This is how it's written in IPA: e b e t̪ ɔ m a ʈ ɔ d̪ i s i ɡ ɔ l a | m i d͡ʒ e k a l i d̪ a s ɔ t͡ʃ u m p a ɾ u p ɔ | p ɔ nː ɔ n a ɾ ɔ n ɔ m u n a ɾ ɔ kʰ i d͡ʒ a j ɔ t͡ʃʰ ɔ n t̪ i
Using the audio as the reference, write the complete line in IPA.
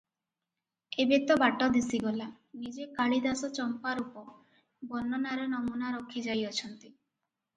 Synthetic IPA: e b e t̪ ɔ b a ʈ ɔ d̪ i s i ɡ ɔ l a | n i d͡ʒ e k a ɭ i d̪ a s ɔ t͡ʃ ɔ m p a ɾ u p ɔ | b ɔ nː ɔ n a ɾ ɔ n ɔ m u n a ɾ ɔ kʰ i d͡ʒ a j ɔ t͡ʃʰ ɔ n t̪ i